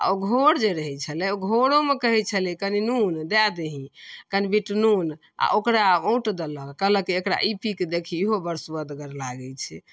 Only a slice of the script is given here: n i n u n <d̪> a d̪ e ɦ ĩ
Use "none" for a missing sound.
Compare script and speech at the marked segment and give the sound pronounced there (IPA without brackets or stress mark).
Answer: d̪